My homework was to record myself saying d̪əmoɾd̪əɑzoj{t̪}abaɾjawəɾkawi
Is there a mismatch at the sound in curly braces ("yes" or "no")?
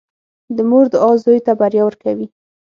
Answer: no